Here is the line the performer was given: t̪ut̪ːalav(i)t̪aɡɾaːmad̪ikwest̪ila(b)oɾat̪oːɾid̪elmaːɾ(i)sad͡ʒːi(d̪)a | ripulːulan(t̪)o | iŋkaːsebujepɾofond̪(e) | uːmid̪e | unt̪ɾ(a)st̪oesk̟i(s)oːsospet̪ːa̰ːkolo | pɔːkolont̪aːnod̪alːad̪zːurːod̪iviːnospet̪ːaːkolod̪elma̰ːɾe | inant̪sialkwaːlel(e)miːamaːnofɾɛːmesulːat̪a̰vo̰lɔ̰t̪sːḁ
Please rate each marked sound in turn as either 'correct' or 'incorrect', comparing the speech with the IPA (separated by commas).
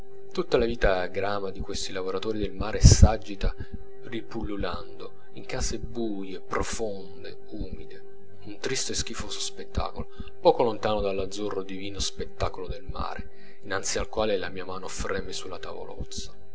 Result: incorrect, incorrect, incorrect, incorrect, incorrect, correct, incorrect, incorrect, incorrect